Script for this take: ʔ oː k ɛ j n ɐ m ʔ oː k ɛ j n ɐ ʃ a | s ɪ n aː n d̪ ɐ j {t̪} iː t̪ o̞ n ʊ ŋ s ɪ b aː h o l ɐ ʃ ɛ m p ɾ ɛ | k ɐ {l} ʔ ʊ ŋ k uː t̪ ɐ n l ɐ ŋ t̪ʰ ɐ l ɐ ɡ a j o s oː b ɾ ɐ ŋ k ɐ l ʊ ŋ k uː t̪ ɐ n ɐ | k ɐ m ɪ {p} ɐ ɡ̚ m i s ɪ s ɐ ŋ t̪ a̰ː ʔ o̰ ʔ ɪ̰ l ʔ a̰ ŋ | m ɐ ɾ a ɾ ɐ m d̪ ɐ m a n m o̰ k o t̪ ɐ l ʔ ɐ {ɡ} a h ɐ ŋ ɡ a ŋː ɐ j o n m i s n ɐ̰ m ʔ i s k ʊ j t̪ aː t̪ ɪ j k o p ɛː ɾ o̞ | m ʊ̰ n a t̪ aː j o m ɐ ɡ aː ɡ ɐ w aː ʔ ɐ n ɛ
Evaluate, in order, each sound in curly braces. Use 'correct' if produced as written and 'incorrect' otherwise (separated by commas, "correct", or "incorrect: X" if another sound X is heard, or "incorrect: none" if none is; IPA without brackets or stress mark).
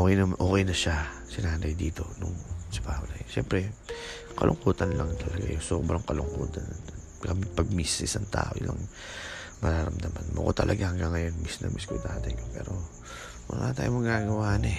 incorrect: d̪, correct, correct, correct